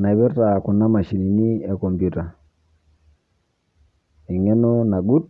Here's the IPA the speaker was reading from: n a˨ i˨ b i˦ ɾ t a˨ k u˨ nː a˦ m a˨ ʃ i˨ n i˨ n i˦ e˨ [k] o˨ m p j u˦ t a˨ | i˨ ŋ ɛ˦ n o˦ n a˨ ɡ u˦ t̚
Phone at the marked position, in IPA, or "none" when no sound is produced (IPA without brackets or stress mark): k